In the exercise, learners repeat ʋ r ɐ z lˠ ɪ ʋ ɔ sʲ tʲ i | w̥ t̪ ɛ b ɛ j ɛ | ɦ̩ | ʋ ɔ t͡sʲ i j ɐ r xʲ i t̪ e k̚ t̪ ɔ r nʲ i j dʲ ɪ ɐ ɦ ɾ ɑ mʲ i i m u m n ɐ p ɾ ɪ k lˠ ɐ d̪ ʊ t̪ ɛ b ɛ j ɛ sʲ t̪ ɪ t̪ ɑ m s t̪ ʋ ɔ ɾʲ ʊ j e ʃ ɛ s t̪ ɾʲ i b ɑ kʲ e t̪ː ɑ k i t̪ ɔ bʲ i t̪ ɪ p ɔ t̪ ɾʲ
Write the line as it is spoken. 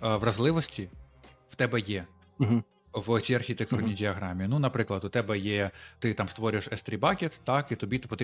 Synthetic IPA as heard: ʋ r ɐ z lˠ ɪ ʋ ɔ sʲ tʲ i | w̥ t̪ ɛ b ɛ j ɛ | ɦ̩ | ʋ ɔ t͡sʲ i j ɐ r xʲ i t̪ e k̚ t̪ u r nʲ i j dʲ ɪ ɐ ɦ ɾ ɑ mʲ i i n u n ɐ p ɾ ɪ k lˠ ɐ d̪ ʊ t̪ ɛ b ɛ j ɛ t̪ ɪ t̪ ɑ m s t̪ ʋ ɔ ɾʲ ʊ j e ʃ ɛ s t̪ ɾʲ i b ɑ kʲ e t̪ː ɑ k i t̪ ɔ bʲ i t̪ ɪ p ɔ t̪ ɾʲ